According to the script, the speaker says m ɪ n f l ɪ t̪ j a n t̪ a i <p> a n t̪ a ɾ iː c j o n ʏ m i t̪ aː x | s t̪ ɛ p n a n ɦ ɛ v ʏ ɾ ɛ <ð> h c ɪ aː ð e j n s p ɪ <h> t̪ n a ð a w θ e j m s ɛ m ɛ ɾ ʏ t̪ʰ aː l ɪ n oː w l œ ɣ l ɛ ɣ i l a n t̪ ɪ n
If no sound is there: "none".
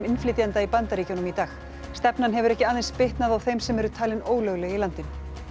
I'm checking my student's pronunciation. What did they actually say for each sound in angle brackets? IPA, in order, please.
p, none, h

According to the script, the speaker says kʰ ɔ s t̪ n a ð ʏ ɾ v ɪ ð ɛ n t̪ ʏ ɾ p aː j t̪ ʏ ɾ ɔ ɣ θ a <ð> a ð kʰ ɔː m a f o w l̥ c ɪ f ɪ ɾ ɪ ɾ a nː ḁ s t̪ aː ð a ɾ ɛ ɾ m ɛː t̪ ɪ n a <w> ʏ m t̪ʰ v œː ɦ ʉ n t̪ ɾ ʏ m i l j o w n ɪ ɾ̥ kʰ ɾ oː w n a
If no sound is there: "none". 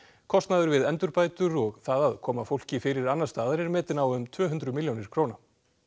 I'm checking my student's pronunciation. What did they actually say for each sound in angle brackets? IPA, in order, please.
ð, w

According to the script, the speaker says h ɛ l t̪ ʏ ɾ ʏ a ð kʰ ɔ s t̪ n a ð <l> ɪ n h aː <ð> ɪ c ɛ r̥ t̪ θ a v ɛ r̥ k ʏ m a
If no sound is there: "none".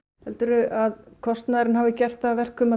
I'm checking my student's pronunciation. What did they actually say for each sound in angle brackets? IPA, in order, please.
ɾ, v

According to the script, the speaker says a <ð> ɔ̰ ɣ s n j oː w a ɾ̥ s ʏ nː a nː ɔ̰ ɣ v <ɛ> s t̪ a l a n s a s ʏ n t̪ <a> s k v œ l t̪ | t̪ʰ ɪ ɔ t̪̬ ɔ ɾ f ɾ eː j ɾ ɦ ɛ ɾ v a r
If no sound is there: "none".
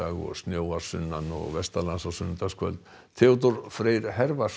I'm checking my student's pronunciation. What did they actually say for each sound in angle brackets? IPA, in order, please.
ɣ, ɛ, a

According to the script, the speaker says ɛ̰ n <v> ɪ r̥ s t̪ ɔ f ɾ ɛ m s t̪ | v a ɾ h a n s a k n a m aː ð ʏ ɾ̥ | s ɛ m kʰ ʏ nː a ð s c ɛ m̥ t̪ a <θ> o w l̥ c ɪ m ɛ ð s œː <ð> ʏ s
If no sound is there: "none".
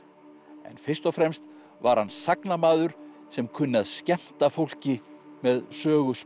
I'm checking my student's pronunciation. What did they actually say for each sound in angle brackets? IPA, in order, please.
f, f, ɣ

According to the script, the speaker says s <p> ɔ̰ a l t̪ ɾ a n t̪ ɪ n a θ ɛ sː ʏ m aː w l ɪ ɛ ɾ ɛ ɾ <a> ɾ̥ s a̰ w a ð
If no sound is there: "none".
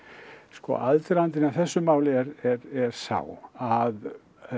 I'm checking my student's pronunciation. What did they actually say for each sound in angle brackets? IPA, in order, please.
k, ɛ

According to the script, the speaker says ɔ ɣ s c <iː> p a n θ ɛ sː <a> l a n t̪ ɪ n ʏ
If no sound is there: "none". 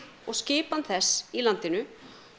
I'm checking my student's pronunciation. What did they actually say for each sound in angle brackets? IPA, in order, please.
ɪː, i

